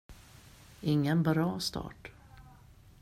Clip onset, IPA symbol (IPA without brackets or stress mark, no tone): ɪ